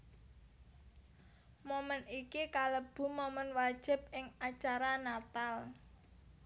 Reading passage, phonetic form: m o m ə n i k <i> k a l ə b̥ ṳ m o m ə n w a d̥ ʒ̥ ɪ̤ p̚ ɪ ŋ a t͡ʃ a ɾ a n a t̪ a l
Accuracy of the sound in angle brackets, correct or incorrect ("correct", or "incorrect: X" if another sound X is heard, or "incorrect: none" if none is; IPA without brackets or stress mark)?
correct